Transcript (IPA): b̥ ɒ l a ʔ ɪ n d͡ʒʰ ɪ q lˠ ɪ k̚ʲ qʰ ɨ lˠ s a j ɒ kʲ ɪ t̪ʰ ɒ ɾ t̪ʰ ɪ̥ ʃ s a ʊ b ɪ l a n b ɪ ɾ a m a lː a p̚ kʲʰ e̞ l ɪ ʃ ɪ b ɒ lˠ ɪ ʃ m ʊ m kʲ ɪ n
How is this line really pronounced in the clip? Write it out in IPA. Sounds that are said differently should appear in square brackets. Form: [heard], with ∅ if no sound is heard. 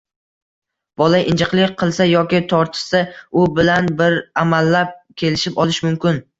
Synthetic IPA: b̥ ɒ l a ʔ ɪ n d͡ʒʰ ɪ q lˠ ɪ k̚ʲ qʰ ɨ lˠ s a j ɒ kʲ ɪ t̪ʰ ɒ ɾ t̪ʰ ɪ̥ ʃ s a ʊ b ɪ l a n b ɪ ɾ a m a lː a p̚ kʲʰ e̞ l ɪ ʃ ɪ [p] ɒ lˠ ɪ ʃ m ʊ m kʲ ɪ n